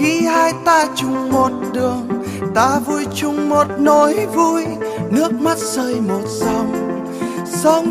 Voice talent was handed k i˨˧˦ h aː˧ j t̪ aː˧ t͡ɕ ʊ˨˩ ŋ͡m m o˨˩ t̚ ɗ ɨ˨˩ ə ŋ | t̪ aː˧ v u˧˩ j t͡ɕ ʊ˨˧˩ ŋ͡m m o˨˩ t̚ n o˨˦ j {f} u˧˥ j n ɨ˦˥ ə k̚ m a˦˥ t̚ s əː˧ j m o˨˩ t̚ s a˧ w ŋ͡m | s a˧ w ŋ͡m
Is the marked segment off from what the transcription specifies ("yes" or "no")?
yes